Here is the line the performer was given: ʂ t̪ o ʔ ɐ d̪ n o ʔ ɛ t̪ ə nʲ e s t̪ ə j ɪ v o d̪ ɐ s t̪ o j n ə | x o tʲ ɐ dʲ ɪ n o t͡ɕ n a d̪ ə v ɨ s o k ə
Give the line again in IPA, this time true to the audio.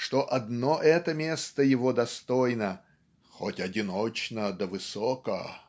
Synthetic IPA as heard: ʂ t̪ o ʔ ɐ d̪ n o ʔ ɛ t̪ ə mʲ e s t̪ ə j ɪ v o d̪ ɐ s t̪ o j n ə | x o tʲ ɐ dʲ ɪ n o t͡ɕ n ə d̪ ə v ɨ s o k ə